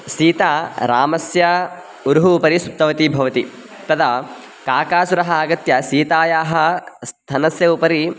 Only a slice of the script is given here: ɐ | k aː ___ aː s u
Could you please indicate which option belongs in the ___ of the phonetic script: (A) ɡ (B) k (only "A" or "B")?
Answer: B